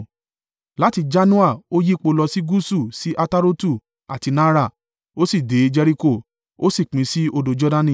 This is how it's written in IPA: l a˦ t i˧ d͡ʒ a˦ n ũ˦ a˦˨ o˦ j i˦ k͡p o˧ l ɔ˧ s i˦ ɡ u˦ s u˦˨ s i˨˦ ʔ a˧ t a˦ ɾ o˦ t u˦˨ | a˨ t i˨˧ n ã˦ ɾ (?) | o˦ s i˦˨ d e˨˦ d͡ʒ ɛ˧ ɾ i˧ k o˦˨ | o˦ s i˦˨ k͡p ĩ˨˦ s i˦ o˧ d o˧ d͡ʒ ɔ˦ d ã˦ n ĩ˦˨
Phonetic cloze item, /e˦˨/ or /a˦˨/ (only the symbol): a˦˨